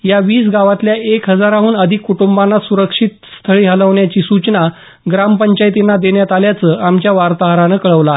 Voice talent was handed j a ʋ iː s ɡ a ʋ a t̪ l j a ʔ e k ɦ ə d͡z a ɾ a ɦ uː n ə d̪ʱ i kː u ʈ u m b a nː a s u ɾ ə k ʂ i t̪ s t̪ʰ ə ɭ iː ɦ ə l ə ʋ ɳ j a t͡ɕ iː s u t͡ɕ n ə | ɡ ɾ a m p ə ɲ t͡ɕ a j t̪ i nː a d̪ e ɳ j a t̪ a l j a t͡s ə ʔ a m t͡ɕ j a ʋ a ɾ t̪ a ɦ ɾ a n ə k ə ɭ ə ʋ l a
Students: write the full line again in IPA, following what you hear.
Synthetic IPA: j a ʋ iː s ɡ a ʋ a t̪ l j a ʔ e k ɦ ə d͡z a ɾ a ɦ uː n ə d̪ʱ i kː u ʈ u m b a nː a s u ɾ ə k ʂ i t̪ s t̪ʰ ə ɭ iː ɦ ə l ə ʋ ɳ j a t͡ɕ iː s u t͡ɕ n a | ɡ ɾ a m p ə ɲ t͡ɕ a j t̪ i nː a d̪ e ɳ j a t̪ a l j a t͡s ə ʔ a m t͡ɕ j a ʋ a ɾ t̪ a ɦ ɾ a n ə k ə ɭ ə ʋ l a